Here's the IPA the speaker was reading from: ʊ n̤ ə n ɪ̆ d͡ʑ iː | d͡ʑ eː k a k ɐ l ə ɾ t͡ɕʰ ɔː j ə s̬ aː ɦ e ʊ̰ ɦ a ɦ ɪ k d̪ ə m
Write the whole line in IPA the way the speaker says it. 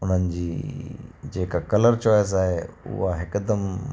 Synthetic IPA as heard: ʊ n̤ ə n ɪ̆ d͡ʑ iː | d͡ʑ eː k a k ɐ l ə ɾ t͡ɕ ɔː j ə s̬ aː ɦ e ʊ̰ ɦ a ɦ ɪ k d̪ ə m

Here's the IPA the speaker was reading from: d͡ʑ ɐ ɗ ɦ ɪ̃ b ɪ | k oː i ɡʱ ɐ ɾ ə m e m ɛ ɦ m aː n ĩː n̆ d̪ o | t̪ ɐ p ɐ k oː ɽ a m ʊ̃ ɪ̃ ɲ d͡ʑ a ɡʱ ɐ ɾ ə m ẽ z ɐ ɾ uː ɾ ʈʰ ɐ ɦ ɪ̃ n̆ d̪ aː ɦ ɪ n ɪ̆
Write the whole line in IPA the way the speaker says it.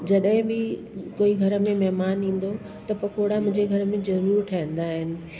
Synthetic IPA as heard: d͡ʑ ɐ ɗ ɦ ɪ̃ b ɪ | k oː i ɡʱ ɐ ɾ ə m ẽ m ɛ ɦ m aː n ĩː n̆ d̪ o | t̪ ɐ p ɐ k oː ɽ a m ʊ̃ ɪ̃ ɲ d͡ʑ e ɡʱ ɐ ɾ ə m ẽ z ɐ ɾ uː ɾ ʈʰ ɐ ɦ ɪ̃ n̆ d̪ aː ɦ ɪ n ɪ̆

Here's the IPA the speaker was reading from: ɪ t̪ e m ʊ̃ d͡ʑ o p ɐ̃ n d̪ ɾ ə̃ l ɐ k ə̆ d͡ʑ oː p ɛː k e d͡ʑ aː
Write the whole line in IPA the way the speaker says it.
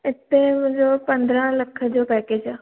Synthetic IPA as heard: ɪ t̪ e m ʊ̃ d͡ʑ o p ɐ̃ n d̪ ɾ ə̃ l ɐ kʰ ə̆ d͡ʑ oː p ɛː k e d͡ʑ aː

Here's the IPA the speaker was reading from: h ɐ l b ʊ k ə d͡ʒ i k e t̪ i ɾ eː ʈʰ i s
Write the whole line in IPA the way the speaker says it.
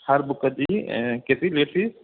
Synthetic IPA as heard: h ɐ ɾ b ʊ k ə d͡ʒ i k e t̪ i l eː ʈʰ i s

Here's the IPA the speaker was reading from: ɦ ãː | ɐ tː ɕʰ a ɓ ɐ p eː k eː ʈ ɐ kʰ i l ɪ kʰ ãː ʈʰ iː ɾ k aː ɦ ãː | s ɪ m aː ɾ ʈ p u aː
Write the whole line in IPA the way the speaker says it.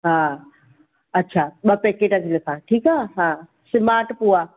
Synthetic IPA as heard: ɦ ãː | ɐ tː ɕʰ a ɓ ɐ p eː k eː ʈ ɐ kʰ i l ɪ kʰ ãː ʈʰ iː k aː ɦ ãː | s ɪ m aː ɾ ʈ p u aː

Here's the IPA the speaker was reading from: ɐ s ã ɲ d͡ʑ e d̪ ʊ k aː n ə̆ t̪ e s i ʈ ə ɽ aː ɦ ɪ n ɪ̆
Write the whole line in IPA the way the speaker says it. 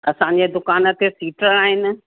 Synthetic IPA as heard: ɐ s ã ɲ d͡ʑ e d̪ ʊ k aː n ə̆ t̪ e s iː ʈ ə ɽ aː ɦ ɪ n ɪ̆

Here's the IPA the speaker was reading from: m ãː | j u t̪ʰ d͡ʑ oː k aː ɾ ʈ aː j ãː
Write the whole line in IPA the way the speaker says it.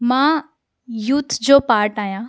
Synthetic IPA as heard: m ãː | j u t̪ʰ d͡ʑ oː p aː ɾ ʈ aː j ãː

